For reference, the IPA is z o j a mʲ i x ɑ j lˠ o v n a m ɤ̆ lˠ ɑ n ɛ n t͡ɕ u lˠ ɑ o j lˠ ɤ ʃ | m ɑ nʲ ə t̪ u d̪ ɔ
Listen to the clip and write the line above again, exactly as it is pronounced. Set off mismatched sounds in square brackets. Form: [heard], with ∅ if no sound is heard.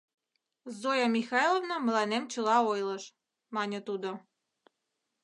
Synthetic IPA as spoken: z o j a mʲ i x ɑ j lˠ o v n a m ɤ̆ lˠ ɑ n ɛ [m] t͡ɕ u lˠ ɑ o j lˠ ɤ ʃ | m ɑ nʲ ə t̪ u d̪ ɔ